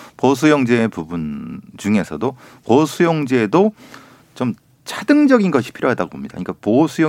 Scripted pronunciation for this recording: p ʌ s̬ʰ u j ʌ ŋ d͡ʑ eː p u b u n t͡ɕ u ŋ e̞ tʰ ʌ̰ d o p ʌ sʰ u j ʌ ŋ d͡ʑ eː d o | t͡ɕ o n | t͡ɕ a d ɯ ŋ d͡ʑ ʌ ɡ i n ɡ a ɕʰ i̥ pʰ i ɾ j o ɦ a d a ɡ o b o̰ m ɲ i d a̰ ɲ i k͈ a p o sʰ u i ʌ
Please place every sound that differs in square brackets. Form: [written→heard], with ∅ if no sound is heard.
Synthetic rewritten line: p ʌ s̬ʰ u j ʌ ŋ d͡ʑ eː p u b u n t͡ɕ u ŋ e̞ [tʰ→sʰ] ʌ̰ d o p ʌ sʰ u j ʌ ŋ d͡ʑ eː d o | t͡ɕ o [n→m] | [t͡ɕ→t͡ɕʰ] a d ɯ ŋ d͡ʑ ʌ ɡ i n ɡ [a→ʌ] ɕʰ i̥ pʰ i ɾ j o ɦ a d a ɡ o b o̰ m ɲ i d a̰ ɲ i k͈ a p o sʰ u [i→j] ʌ